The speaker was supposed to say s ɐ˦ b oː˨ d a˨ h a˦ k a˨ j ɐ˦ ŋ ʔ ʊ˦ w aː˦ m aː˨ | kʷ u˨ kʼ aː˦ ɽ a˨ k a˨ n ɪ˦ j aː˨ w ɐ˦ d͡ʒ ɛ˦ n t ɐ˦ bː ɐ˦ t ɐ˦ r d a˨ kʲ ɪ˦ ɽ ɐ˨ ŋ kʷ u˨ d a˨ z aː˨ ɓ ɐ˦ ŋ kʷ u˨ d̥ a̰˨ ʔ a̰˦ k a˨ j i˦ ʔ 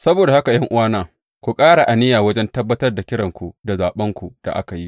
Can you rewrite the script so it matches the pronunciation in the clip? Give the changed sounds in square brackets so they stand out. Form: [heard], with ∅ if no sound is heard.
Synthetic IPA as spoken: s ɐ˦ b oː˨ d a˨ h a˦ k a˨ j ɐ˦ ŋ ʔ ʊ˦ w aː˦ [n] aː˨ | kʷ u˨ kʼ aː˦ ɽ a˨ [ʔ] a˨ n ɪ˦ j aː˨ w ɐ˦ d͡ʒ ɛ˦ n t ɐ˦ bː ɐ˦ t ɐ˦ r d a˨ kʲ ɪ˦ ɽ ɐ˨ ŋ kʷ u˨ d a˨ z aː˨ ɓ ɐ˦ ŋ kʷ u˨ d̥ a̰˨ ʔ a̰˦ k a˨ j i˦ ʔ